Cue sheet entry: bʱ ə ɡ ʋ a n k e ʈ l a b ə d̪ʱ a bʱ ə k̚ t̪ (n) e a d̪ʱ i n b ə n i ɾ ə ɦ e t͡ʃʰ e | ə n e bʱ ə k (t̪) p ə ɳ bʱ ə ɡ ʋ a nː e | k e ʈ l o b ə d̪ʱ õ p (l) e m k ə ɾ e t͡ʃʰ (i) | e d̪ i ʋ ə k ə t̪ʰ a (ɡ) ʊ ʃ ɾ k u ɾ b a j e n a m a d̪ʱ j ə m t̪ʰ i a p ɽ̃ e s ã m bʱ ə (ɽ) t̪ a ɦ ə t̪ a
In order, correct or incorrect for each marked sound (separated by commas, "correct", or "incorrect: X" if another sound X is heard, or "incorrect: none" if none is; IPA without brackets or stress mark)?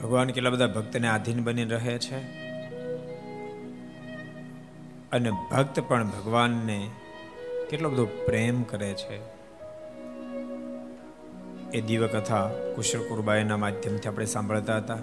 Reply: correct, correct, incorrect: ɾ, incorrect: e, incorrect: k, incorrect: ɭ